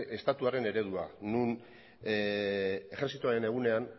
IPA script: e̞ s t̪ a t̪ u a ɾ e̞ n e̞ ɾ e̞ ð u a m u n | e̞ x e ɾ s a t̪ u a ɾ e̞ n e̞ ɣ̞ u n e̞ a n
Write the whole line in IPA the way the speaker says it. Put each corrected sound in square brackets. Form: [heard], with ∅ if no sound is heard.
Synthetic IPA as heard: e̞ s t̪ a t̪ u a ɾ e̞ n e̞ ɾ e̞ ð u a [n] u n | e̞ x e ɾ s [i] t̪ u a ɾ e̞ n e̞ ɣ̞ u n e̞ a n